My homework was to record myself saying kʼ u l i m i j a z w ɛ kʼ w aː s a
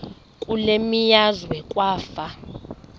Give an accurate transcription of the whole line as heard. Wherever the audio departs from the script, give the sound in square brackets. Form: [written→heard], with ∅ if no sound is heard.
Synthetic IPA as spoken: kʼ u l [i→e] m i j a z w ɛ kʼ w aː [s→f] a